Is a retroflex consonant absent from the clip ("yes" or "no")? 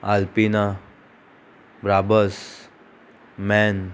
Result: yes